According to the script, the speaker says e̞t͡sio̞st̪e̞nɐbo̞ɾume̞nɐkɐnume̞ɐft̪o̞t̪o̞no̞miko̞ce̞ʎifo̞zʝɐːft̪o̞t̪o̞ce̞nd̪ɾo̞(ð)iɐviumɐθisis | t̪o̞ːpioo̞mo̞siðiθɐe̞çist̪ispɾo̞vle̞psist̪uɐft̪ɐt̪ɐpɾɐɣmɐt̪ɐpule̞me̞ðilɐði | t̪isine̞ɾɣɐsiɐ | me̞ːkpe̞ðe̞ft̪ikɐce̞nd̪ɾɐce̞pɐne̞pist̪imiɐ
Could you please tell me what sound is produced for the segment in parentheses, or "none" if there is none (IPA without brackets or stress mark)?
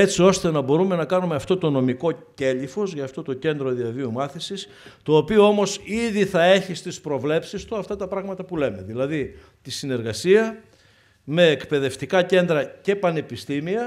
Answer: ð